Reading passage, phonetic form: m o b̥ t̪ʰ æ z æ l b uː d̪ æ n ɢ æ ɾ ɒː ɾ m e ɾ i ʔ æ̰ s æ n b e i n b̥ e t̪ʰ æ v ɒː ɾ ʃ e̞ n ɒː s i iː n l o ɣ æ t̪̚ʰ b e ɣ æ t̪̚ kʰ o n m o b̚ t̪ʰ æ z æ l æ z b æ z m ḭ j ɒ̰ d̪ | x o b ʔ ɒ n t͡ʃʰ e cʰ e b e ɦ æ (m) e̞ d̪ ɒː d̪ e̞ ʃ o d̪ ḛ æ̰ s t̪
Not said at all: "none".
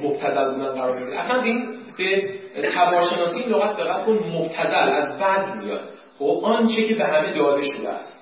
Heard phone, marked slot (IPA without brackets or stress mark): m